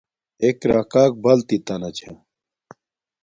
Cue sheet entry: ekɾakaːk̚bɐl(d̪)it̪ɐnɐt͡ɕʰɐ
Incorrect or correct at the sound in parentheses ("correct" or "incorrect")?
incorrect